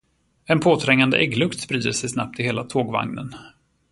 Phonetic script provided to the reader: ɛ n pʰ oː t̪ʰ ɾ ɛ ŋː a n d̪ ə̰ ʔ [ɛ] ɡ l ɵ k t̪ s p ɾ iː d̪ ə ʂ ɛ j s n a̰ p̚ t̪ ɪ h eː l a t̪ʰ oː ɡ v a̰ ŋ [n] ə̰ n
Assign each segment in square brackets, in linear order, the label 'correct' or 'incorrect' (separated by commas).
correct, correct